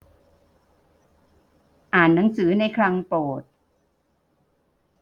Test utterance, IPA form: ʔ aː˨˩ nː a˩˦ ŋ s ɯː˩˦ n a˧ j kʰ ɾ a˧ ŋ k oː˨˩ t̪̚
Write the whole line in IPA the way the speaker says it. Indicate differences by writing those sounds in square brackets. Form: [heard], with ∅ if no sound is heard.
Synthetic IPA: ʔ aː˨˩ nː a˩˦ ŋ s ɯː˩˦ n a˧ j kʰ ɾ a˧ ŋ [p] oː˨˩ t̪̚